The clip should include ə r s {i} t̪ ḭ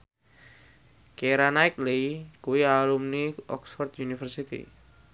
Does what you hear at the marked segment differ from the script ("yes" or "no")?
no